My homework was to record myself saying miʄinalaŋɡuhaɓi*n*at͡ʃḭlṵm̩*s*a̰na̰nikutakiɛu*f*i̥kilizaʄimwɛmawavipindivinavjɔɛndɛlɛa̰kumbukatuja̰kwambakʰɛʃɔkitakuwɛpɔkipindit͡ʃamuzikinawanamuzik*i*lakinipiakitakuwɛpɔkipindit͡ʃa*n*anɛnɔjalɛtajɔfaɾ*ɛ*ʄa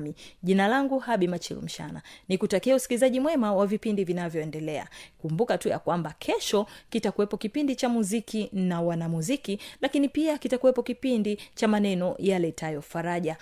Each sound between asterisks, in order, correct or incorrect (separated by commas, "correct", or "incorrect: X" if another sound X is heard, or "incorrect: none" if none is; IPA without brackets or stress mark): incorrect: m, incorrect: ʃ, incorrect: s, correct, incorrect: m, incorrect: a